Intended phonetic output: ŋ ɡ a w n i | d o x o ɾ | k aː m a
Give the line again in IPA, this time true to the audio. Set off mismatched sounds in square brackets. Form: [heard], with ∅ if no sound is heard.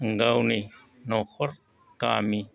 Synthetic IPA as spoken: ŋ ɡ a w n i | [n] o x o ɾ | k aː m [i]